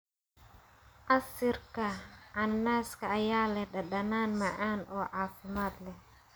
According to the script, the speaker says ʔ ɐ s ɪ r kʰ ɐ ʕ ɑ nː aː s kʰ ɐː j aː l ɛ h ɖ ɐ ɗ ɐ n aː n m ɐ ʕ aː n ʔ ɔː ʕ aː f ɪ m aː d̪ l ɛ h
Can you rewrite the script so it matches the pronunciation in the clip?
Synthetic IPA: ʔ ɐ s ɪ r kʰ ɐ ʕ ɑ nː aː s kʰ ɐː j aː l ɛ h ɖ ɐ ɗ ɐ n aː n m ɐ ʕ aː n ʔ ɔː ʕ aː f ɪ m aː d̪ l ɛ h